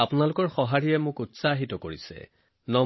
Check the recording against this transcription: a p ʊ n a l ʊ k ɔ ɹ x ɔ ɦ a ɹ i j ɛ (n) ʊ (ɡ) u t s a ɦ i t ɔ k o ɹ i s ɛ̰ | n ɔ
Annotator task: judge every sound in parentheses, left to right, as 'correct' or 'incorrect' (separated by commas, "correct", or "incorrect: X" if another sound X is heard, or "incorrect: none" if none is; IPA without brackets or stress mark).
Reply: incorrect: m, incorrect: k